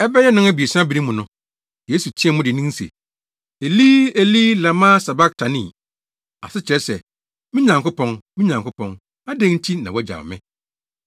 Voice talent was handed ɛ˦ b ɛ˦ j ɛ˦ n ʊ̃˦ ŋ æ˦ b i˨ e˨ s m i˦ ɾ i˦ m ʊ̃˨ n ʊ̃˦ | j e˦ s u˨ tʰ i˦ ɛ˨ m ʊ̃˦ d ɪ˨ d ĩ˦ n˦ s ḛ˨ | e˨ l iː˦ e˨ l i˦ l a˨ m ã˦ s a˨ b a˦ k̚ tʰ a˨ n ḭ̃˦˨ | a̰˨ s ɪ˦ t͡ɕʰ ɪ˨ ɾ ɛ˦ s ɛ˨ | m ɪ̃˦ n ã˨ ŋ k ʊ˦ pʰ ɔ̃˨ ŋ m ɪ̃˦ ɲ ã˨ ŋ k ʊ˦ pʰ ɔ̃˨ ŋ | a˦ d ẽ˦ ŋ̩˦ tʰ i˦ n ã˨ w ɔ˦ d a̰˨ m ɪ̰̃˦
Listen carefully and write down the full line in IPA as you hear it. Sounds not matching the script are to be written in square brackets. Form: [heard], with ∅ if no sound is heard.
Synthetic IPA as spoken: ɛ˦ b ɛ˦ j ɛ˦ n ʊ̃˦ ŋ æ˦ b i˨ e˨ s [b] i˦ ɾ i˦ m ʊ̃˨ n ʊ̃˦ | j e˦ s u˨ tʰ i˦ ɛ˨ m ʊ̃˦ d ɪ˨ [n] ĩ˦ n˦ s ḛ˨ | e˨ l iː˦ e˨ l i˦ l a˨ m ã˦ s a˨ b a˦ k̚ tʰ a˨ n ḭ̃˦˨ | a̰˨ s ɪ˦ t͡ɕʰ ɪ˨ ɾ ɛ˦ s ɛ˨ | m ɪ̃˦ [ɲ] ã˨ ŋ k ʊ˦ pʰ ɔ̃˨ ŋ m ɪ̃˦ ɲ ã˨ ŋ k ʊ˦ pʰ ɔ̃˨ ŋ | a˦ d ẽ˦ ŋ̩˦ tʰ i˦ n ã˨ w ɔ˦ [d͡ʑ] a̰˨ m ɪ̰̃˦